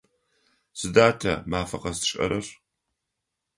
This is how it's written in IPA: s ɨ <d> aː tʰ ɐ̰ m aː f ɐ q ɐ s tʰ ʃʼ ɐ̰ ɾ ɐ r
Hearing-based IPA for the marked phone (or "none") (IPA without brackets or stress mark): d